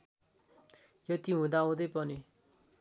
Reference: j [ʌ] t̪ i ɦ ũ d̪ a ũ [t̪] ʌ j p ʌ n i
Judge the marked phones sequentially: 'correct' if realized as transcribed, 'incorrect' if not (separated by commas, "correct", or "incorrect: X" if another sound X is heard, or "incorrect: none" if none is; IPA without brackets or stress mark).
correct, incorrect: d̪